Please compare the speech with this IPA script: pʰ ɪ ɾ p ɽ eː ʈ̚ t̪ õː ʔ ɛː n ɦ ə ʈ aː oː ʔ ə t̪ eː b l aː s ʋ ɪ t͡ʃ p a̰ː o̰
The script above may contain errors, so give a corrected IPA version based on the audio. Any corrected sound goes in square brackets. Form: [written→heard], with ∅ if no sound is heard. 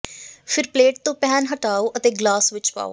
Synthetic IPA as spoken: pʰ ɪ ɾ p [ɽ→l] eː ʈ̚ t̪ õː [ʔ→p] ɛː n ɦ ə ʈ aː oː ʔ ə t̪ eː [b→ɡ] l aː s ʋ ɪ t͡ʃ p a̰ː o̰